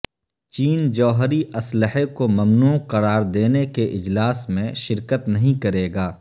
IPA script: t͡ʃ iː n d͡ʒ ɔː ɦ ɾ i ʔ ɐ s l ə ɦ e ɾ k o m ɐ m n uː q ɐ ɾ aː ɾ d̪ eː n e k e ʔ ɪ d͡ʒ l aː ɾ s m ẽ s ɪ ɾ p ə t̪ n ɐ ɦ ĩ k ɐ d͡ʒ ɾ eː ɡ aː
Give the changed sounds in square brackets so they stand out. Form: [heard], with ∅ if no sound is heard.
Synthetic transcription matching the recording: t͡ʃ iː n d͡ʒ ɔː ɦ ɾ i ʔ ɐ s l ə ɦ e [∅] k o m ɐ m n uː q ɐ ɾ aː ɾ d̪ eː n e k e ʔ ɪ d͡ʒ l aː [∅] s m ẽ [ʃ] ɪ ɾ [k] ə t̪ n ɐ ɦ ĩ k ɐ [∅] ɾ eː ɡ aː